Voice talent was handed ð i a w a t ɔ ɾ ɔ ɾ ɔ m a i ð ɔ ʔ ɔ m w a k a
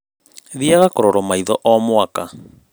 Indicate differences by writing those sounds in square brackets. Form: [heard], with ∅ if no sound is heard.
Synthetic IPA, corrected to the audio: ð i a [ɣ] a [k] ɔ ɾ ɔ ɾ ɔ m a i ð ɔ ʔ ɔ m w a k a